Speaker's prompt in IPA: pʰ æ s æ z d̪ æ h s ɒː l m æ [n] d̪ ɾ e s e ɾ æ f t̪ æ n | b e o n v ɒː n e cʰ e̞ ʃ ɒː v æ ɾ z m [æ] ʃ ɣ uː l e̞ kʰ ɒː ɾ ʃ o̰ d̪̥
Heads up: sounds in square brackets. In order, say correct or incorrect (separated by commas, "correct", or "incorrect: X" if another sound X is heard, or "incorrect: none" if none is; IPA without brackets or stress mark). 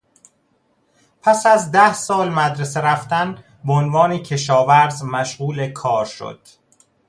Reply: incorrect: none, correct